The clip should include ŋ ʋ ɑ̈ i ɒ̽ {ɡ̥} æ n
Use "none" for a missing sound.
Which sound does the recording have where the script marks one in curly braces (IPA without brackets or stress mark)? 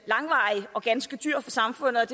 ɡ̥